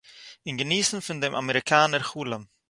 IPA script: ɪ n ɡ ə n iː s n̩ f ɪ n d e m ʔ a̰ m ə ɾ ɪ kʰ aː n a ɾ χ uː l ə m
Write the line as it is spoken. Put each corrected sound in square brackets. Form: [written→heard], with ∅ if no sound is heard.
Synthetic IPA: ɪ n ɡ ə n iː s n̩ f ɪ n d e m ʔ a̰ m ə ɾ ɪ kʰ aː n [a→ə] ɾ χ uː l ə m